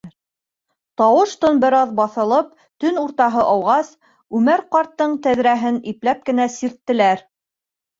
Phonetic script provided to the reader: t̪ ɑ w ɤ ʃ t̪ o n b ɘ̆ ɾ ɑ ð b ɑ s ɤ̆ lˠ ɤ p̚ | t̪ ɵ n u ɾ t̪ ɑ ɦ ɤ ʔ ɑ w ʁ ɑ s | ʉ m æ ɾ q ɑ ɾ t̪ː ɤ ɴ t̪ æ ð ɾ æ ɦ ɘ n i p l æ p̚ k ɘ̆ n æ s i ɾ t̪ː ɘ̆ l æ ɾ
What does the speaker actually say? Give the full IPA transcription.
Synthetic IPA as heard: t̪ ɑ w ɤ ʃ t̪ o n b ɘ̆ ɾ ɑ ð b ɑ θ ɤ̆ lˠ ɤ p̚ | t̪ ɵ n u ɾ t̪ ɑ ɦ ɤ ʔ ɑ w ʁ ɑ s | ʉ m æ ɾ q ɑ ɾ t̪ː ɤ ɴ t̪ æ ð ɾ æ ɦ ɘ n i p l æ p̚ k ɘ̆ n æ s i ɾ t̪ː ɘ̆ l æ ɾ